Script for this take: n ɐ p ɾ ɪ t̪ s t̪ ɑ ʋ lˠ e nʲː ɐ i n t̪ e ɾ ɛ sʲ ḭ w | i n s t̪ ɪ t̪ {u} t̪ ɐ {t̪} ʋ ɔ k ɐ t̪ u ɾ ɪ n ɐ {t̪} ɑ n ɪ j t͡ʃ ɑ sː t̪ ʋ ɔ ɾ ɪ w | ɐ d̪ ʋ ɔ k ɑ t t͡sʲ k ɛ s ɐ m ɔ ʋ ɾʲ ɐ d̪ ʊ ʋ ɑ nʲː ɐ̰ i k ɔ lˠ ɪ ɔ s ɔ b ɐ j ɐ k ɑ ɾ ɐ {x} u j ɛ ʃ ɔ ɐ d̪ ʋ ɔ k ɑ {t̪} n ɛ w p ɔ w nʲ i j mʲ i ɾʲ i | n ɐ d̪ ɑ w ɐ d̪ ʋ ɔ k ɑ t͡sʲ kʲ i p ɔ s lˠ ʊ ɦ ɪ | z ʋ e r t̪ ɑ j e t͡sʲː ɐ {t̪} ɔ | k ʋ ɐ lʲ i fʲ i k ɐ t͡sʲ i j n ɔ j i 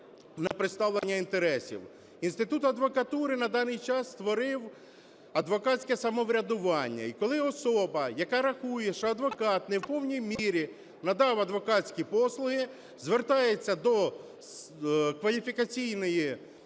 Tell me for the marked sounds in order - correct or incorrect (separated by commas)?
correct, incorrect, incorrect, correct, correct, incorrect